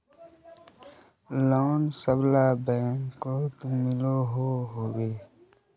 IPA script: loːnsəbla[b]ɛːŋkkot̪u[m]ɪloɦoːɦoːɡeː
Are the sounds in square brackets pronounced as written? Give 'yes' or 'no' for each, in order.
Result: yes, yes

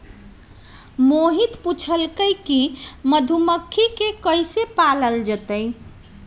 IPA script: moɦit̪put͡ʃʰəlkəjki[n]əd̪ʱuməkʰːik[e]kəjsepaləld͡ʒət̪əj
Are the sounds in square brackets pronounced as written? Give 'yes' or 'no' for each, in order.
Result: no, yes

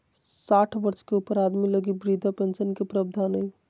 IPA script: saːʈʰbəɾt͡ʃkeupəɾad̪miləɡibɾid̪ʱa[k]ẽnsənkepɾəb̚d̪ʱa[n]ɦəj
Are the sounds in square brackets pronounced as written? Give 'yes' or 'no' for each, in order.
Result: no, yes

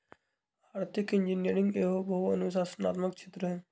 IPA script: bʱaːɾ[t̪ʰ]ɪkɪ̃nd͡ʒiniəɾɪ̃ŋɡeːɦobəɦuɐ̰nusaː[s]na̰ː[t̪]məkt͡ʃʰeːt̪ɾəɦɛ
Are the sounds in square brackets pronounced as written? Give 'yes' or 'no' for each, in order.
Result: no, yes, yes

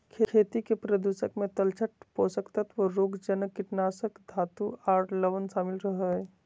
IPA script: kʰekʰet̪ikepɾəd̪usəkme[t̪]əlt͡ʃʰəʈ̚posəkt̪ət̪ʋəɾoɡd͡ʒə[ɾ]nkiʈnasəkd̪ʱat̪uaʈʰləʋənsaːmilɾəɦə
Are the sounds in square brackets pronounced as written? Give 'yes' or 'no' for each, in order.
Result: yes, no

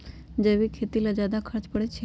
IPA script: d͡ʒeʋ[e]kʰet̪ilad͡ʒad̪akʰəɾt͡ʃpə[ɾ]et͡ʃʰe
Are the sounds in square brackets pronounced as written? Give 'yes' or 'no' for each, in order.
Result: no, no

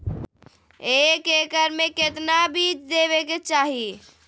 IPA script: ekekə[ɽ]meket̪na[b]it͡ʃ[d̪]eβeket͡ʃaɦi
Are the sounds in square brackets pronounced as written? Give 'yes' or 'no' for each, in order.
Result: no, yes, yes

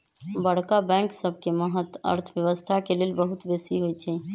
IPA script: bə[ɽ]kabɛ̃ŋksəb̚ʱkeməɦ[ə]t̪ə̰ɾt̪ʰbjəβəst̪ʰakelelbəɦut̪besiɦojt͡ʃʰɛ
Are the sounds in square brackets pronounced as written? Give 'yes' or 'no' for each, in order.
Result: yes, yes

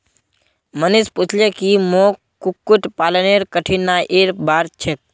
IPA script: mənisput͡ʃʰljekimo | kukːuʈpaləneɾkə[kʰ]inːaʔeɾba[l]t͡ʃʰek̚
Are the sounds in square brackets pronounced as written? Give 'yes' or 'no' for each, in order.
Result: no, no

